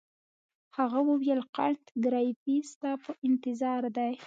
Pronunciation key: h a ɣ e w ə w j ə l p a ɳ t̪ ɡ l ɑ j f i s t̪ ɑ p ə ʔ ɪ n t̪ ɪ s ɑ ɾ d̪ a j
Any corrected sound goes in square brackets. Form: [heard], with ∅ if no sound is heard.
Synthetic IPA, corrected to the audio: h a ɣ [a] w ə w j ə l [q] a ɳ t̪ ɡ [ɾ] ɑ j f i s t̪ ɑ p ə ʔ ɪ n t̪ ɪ [z] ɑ ɾ d̪ a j